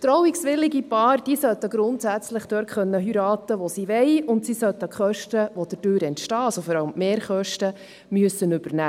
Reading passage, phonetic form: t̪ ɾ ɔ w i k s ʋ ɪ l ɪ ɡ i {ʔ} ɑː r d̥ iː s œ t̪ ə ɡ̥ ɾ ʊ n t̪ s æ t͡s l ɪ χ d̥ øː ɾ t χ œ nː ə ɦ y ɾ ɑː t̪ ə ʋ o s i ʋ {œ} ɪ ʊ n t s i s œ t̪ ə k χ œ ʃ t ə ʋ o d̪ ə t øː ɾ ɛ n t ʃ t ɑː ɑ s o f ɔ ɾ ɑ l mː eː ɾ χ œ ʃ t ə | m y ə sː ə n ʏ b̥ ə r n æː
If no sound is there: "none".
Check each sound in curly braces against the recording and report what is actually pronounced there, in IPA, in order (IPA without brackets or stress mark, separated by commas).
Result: p, ɛ